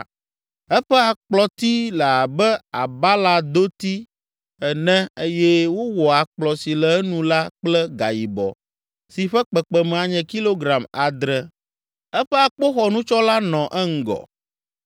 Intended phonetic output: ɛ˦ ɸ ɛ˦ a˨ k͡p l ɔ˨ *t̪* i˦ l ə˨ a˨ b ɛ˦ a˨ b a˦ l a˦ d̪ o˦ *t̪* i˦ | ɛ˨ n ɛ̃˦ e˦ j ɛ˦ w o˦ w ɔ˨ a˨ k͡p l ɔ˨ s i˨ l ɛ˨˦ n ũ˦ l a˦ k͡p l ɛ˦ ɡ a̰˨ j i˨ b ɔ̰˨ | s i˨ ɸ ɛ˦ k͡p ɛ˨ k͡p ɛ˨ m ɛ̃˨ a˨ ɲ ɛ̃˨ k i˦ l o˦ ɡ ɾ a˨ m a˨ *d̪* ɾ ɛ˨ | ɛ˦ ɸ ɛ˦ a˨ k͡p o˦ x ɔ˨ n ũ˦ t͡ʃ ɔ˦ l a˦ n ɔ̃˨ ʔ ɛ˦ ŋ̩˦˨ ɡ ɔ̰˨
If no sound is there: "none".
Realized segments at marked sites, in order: t̪, t̪, d̪

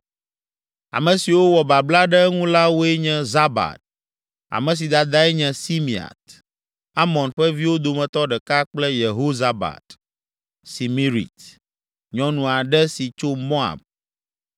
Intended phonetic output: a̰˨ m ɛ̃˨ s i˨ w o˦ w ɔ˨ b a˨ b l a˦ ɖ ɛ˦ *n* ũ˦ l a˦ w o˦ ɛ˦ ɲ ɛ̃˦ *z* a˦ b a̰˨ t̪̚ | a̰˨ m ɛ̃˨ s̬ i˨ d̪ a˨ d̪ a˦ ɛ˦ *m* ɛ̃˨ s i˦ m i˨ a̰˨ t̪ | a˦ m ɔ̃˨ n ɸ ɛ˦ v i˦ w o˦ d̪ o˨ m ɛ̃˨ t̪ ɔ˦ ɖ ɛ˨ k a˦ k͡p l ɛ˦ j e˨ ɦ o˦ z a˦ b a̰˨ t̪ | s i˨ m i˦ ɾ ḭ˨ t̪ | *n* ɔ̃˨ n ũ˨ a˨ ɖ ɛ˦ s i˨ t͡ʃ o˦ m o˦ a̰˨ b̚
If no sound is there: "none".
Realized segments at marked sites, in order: ŋ, z, ɲ, ɲ

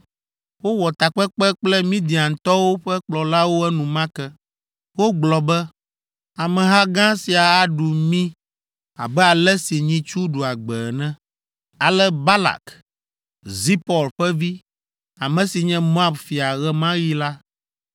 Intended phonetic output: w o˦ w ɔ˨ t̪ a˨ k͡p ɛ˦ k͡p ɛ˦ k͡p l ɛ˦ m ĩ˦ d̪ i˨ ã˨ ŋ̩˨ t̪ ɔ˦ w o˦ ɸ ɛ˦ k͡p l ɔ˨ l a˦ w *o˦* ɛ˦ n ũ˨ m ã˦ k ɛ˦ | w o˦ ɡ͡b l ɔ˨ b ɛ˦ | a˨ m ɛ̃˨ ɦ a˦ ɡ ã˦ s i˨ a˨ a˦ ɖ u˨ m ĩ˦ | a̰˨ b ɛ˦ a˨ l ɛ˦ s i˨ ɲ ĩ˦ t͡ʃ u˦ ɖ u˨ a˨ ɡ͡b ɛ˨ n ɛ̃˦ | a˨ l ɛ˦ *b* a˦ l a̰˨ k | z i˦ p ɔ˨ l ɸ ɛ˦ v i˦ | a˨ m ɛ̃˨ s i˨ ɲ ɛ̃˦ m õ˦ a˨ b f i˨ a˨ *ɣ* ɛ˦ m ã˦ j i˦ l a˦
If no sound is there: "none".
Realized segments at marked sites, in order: o˦, b, ɣ

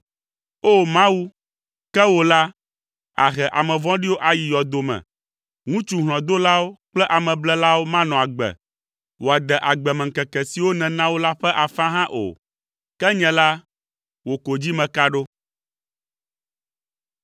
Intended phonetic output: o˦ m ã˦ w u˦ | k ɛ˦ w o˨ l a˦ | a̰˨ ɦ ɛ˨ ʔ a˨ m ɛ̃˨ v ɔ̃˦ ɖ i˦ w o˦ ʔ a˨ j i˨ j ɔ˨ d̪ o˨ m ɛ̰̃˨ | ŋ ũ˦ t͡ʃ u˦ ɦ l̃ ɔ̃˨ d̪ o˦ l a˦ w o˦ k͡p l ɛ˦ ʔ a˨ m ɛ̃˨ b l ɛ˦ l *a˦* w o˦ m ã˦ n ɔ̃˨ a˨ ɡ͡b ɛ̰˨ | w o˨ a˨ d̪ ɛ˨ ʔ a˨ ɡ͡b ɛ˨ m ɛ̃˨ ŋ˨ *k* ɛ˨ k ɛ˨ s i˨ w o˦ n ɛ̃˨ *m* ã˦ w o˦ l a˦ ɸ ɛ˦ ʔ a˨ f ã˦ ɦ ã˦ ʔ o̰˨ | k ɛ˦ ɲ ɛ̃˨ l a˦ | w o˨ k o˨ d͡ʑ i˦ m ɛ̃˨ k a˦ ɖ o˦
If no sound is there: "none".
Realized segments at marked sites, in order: a˦, k, n

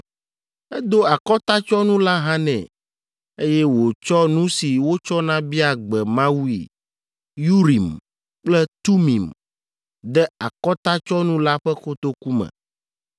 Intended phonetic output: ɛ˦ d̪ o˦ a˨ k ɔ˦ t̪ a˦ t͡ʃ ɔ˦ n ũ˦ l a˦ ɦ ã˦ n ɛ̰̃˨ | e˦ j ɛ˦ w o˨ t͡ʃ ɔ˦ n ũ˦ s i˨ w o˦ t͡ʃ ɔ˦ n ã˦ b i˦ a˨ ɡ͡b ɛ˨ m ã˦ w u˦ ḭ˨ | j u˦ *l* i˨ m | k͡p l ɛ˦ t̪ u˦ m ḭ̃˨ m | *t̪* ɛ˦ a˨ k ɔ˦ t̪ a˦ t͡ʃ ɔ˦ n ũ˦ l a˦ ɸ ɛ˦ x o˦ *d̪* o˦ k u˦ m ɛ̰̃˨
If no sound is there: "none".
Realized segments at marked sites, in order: ɾ, d̪, t̪

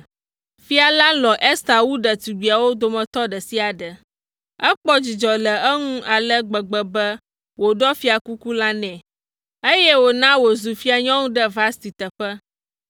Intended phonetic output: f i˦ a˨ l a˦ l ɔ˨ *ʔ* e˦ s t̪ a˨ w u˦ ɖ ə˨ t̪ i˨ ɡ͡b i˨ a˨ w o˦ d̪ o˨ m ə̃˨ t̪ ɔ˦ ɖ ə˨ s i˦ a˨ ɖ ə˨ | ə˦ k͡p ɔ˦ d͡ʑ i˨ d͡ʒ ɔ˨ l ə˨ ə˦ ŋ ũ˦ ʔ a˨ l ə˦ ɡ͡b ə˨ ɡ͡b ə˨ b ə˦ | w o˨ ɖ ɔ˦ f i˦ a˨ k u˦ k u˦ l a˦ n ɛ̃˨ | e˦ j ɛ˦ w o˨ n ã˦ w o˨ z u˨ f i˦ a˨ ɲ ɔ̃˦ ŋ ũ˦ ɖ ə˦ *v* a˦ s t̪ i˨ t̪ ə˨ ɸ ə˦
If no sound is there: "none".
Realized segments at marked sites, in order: ʔ, v

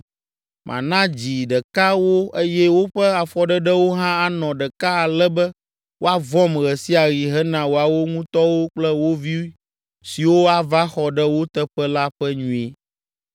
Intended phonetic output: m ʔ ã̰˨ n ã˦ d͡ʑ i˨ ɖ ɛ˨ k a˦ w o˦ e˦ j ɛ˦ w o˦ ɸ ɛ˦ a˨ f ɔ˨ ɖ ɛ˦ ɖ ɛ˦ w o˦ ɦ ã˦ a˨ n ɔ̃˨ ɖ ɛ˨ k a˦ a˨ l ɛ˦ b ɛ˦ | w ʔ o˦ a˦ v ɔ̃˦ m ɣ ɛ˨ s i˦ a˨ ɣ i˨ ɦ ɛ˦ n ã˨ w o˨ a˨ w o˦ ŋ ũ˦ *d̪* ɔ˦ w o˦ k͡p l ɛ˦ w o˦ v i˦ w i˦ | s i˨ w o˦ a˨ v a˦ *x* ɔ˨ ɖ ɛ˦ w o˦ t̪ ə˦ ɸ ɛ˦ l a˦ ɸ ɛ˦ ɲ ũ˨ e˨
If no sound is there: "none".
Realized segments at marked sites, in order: t̪, x

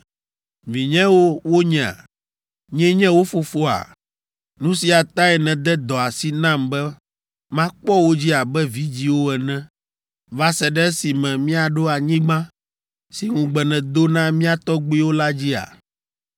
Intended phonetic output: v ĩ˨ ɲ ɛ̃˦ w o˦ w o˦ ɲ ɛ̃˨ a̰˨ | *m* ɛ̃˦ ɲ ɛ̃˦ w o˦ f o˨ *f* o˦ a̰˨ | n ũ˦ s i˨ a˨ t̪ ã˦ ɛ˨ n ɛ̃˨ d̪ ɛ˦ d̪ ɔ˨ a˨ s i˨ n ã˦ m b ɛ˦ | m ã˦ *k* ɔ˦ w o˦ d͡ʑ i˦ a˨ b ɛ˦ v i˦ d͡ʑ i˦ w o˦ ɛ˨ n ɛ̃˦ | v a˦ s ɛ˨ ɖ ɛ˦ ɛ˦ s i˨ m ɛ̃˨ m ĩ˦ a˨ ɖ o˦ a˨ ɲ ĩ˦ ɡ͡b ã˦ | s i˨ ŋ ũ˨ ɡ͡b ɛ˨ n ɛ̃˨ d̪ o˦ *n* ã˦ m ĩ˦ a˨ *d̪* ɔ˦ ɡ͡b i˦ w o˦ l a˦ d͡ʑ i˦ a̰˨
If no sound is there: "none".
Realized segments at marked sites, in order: ɲ, f, k͡p, n, t̪

